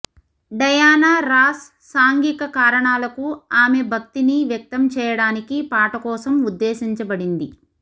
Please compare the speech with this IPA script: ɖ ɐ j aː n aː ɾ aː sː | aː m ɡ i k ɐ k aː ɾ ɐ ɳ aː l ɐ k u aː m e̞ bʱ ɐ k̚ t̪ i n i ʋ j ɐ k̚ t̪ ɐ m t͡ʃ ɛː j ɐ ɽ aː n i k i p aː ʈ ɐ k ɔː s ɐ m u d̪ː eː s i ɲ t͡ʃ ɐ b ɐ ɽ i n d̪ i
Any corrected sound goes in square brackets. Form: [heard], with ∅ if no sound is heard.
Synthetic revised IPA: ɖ ɐ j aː n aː ɾ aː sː | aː [ŋ] ɡ i k ɐ k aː ɾ ɐ ɳ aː l ɐ k u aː m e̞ bʱ ɐ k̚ t̪ i n i ʋ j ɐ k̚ t̪ ɐ m t͡ʃ ɛː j ɐ ɽ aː n i k i p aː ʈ ɐ k ɔː s ɐ m u d̪ː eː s i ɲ t͡ʃ ɐ b ɐ ɽ i n d̪ i